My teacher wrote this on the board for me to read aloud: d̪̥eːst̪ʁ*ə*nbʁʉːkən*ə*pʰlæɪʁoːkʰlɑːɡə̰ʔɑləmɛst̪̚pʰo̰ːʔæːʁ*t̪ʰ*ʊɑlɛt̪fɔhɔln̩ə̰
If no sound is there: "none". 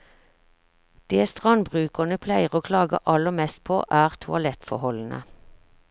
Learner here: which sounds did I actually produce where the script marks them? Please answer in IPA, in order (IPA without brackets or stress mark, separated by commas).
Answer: ɑ, ə, t̪ʰ